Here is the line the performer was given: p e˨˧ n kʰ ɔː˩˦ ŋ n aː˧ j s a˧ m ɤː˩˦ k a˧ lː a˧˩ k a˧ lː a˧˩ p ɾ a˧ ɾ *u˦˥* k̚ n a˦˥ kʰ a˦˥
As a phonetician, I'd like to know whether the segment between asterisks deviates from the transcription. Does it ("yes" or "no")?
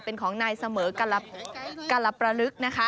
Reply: yes